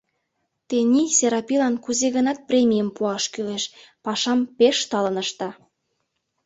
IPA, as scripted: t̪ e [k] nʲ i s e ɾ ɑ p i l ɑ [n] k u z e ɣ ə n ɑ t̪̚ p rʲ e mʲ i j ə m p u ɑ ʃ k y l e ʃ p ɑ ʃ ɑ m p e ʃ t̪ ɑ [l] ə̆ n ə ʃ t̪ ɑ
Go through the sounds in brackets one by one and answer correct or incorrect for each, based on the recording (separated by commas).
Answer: incorrect, correct, correct